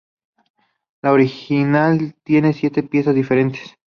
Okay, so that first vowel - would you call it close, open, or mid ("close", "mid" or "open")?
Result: open